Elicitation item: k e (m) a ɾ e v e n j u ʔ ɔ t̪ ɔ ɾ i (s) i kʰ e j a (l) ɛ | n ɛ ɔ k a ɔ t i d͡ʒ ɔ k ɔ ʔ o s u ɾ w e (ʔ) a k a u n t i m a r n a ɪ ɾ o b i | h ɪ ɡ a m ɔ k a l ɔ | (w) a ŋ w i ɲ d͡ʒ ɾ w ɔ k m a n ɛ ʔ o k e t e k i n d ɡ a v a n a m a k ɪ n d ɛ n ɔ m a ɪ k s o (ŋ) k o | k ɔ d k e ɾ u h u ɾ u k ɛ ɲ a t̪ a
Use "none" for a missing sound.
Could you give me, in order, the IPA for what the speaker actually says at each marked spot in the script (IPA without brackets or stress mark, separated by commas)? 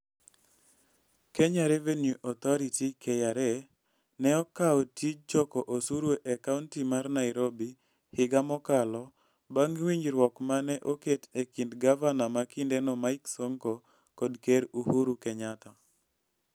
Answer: ɲ, t, ɾ, ʔ, b, ŋ